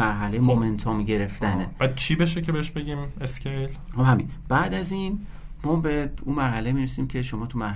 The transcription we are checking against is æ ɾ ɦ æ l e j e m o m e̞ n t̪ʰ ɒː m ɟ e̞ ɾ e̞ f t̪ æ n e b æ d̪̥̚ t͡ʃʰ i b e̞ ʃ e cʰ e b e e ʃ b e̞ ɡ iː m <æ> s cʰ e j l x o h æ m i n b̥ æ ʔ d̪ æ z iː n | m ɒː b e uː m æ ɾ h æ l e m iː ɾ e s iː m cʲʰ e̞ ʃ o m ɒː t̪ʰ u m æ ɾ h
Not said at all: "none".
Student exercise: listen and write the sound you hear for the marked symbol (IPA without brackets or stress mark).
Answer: e